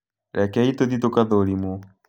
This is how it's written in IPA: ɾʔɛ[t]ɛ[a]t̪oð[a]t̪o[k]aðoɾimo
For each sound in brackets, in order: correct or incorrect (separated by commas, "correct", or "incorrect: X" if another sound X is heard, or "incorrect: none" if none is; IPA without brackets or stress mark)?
incorrect: k, incorrect: i, incorrect: i, correct